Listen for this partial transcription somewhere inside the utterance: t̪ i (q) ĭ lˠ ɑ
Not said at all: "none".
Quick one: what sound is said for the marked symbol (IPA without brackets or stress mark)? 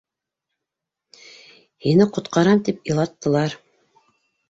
p